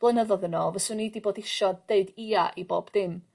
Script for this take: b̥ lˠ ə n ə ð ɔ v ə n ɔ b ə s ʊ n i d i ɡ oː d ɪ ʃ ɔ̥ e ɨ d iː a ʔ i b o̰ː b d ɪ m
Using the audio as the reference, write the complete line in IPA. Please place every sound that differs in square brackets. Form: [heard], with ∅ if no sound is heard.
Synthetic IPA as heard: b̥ lˠ ə n ə ð ɔ [ð] ə n ɔ [v] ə s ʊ n i d i [b] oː d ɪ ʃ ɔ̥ e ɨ d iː a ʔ i b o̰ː b d ɪ m